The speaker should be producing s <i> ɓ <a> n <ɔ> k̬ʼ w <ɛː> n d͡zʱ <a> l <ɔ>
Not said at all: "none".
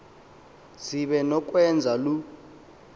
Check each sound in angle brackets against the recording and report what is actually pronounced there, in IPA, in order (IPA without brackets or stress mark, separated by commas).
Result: i, ɛ, ɔ, ɛ, a, u